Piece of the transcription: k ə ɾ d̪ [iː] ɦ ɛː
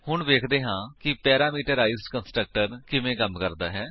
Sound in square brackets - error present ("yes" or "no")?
yes